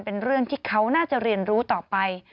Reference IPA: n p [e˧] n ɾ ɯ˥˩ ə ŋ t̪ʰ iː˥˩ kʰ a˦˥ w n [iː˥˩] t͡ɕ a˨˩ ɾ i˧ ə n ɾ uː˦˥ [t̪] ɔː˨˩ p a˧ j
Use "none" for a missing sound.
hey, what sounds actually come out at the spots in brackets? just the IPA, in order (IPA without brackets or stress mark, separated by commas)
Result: e˧, aː˥˩, t̪